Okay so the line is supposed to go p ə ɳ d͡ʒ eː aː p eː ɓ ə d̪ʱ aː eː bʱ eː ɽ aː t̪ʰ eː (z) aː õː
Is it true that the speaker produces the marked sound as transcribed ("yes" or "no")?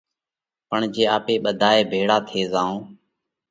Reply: yes